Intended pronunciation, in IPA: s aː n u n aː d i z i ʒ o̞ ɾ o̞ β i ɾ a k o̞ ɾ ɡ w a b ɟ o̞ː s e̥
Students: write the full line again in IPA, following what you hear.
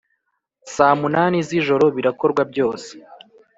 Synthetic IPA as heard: s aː m u n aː n i z i ʒ o̞ ɾ o̞ β i ɾ a k o̞ ɾ ɡ w a b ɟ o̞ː s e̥